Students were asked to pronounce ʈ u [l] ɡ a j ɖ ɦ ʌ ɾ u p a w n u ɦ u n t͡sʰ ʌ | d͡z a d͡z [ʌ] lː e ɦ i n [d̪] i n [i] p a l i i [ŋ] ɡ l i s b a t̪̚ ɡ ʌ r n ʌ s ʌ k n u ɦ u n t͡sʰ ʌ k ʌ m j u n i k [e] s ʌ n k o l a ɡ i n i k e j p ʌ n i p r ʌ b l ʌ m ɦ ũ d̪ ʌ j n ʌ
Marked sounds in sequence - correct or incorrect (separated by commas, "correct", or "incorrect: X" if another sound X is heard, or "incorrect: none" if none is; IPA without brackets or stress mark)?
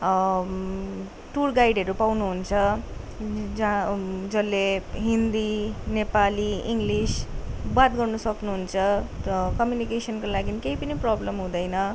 incorrect: r, correct, correct, incorrect: e, correct, correct